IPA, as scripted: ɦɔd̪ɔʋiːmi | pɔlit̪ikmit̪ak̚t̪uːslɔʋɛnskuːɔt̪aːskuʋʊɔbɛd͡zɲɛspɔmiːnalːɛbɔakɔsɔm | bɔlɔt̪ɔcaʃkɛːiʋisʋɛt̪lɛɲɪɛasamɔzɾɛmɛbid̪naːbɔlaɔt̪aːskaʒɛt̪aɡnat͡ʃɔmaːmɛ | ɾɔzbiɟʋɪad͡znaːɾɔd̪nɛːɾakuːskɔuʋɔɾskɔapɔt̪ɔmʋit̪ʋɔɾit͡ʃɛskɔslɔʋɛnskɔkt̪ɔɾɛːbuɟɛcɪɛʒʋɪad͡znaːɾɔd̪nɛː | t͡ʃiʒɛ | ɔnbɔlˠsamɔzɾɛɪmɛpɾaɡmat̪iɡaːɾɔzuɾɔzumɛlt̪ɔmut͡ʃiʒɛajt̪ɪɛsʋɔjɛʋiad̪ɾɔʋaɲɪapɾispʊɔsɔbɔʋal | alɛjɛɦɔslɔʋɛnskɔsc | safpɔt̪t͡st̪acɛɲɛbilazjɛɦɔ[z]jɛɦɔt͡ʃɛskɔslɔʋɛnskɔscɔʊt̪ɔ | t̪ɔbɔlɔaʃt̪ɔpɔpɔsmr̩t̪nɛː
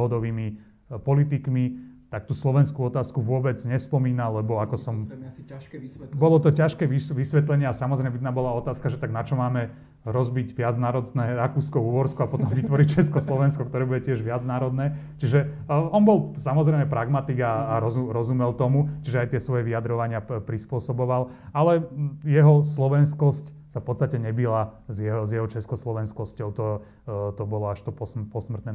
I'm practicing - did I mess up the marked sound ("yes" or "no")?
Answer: no